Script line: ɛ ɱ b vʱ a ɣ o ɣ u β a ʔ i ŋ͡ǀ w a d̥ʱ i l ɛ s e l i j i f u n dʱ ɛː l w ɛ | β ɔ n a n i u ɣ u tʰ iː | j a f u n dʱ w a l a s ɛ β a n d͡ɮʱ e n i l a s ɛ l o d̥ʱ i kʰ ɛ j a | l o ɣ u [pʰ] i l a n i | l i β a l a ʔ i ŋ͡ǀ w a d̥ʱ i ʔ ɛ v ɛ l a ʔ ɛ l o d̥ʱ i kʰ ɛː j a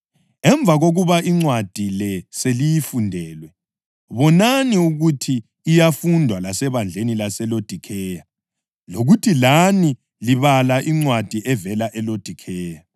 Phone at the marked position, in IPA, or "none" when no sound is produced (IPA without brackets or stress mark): tʰ